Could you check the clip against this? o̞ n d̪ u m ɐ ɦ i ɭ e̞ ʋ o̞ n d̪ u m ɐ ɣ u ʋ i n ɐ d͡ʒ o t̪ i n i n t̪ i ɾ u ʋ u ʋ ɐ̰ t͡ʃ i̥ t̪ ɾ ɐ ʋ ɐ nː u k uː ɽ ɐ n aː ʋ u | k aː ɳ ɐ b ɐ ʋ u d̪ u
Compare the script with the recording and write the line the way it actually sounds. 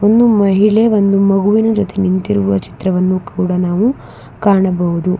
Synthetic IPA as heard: o̞ n d̪ u m ɐ ɦ i ɭ e̞ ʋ o̞ n d̪ u m ɐ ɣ u ʋ i n ɐ d͡ʒ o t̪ e n i n t̪ i ɾ u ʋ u ʋ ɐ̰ t͡ʃ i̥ t̪ ɾ ɐ ʋ ɐ nː u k uː ɽ ɐ n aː ʋ u | k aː ɳ ɐ b ɐ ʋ u d̪ u